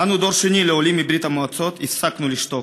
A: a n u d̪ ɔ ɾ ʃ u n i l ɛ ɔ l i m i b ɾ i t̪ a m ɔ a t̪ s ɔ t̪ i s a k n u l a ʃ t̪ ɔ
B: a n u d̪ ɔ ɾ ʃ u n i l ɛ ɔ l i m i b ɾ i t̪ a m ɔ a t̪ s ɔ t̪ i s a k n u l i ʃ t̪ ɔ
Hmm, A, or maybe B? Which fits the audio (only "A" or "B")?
B